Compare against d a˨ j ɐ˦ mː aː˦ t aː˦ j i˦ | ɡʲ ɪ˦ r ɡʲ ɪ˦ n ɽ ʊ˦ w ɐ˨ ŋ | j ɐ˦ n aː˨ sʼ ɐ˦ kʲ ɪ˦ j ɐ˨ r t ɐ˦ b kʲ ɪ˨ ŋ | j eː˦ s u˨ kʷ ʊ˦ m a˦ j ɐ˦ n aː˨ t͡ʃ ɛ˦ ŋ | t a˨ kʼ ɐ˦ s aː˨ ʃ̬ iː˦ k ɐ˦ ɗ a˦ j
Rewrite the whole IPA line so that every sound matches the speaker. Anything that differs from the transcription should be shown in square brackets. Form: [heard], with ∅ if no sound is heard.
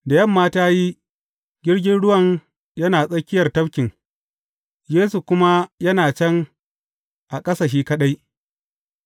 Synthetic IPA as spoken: d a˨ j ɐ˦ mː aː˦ t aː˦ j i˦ | ɡʲ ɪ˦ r ɡʲ ɪ˦ n ɽ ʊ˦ w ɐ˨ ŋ | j ɐ˦ n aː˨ sʼ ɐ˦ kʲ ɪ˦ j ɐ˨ r t ɐ˦ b kʲ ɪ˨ ŋ | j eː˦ s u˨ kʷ ʊ˦ m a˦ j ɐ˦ n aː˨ t͡ʃ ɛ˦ ŋ | [ʔ] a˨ kʼ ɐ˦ s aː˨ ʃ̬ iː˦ k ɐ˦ ɗ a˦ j